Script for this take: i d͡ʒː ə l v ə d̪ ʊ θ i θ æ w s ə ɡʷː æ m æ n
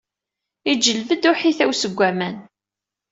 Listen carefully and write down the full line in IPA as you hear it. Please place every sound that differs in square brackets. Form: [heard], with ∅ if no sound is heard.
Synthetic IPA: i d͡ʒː ə l v ə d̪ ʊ [ħ] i θ æ w s ə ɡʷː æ m æ n